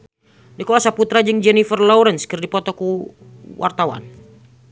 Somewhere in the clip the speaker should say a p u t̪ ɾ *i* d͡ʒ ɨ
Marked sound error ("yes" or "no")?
yes